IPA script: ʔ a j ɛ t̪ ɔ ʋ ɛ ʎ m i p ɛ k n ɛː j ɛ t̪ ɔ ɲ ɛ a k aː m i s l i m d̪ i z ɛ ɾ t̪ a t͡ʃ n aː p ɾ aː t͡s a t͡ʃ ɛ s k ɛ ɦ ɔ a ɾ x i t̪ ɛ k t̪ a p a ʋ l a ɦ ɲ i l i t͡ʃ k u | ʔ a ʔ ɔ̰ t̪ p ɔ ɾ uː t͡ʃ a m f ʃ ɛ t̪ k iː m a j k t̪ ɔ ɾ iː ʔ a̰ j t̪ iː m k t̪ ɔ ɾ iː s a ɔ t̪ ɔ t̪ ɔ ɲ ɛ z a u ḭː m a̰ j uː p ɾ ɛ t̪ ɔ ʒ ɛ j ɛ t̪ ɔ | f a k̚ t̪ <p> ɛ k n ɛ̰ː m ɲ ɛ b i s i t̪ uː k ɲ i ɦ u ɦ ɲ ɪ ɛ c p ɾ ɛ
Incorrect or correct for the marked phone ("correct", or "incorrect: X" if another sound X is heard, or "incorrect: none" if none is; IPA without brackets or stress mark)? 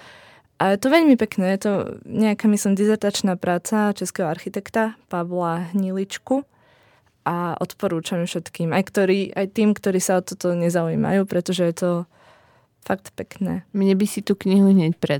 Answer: correct